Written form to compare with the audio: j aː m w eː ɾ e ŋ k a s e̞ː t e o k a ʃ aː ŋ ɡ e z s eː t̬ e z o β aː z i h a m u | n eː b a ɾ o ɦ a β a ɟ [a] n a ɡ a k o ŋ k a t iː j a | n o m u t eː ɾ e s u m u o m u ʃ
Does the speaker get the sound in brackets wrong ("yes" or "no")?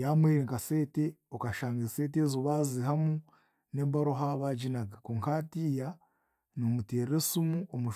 yes